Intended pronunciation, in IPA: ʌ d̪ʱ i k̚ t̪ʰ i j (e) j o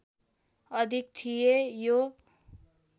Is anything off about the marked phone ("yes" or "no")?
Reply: no